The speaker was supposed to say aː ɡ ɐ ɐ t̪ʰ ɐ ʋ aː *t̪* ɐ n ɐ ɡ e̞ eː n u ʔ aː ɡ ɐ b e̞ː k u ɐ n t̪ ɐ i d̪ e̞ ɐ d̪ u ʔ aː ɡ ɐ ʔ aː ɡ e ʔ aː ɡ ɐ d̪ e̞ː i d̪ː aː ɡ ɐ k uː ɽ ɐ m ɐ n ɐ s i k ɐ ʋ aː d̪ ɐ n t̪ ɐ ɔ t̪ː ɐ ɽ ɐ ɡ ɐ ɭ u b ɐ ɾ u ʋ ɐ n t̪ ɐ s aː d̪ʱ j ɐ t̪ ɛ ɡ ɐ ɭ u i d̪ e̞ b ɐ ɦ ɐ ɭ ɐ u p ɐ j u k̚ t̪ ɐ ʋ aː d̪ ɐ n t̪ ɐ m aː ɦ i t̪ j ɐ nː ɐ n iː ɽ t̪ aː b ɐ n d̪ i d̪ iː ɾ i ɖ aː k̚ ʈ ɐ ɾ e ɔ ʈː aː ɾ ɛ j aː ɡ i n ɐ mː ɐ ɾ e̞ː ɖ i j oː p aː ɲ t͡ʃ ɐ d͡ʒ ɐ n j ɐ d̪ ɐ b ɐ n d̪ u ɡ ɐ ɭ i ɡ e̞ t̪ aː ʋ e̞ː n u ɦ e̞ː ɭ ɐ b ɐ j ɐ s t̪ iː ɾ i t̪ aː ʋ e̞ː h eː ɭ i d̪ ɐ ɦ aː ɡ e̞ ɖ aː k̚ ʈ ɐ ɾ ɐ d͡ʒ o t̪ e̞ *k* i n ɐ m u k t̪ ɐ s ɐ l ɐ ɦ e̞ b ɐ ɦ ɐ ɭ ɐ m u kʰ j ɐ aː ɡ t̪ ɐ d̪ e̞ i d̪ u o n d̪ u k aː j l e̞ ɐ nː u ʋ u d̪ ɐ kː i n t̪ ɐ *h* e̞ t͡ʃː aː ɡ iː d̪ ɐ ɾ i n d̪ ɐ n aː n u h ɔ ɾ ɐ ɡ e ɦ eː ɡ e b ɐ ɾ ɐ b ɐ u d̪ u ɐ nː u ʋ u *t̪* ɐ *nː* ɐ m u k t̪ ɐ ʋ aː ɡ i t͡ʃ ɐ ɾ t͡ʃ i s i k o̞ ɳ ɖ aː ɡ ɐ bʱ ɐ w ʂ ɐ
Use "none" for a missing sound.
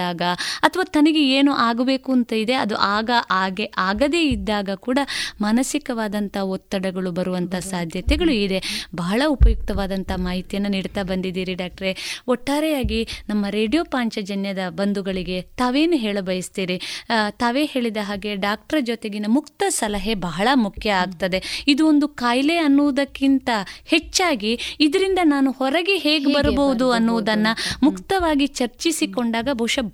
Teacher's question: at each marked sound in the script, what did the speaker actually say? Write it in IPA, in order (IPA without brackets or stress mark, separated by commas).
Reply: t̪, ɡ, h, d̪, nː